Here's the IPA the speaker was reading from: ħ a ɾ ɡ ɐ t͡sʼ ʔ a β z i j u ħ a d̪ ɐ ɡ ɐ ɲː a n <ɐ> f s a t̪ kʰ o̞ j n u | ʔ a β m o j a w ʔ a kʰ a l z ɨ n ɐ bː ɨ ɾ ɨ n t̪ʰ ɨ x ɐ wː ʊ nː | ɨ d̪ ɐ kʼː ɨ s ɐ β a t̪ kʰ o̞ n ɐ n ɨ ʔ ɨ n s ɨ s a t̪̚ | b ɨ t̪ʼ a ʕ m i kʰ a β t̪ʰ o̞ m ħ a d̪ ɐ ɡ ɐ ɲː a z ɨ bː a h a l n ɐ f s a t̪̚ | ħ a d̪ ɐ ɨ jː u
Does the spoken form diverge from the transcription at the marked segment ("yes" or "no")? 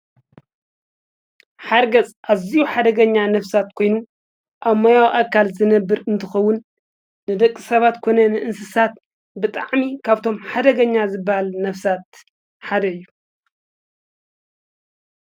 no